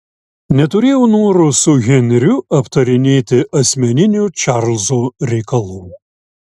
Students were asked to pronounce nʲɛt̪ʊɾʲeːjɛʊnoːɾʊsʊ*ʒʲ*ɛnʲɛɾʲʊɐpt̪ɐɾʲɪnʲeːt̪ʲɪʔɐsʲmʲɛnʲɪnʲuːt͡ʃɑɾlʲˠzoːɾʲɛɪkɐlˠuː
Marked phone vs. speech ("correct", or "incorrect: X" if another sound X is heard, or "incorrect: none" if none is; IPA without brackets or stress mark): incorrect: ɣʲ